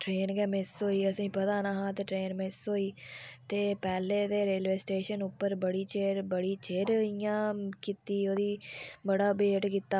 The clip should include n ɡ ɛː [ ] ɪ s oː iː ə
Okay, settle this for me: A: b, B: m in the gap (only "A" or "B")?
B